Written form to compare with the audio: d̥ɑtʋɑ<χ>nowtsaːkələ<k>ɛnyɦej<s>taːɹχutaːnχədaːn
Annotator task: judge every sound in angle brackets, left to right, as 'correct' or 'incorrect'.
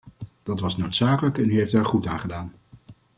incorrect: s, correct, incorrect: f

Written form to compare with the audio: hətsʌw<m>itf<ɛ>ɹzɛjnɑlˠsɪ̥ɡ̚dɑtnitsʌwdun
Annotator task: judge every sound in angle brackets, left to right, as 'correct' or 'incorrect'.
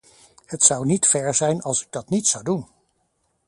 incorrect: n, correct

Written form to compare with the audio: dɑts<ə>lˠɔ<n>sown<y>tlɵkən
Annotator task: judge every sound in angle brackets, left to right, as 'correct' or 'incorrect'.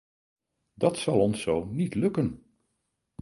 incorrect: ɑ, correct, incorrect: i

